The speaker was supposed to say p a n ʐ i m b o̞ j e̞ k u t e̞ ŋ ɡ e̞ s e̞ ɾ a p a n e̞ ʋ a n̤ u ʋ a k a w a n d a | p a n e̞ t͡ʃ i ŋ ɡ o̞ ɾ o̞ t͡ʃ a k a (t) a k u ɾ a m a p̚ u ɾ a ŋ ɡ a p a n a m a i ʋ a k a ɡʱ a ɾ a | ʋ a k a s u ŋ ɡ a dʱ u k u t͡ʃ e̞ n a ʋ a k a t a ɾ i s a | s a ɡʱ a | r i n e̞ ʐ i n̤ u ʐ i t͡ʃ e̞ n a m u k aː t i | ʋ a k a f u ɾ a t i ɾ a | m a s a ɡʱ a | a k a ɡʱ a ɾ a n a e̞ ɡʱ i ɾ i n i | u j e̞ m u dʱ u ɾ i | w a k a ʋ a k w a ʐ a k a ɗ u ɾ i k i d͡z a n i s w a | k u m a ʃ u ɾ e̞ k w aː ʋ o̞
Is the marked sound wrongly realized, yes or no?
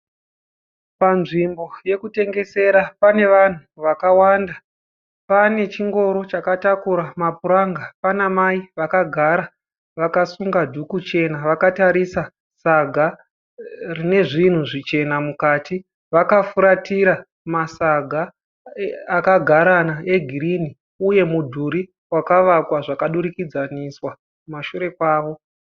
no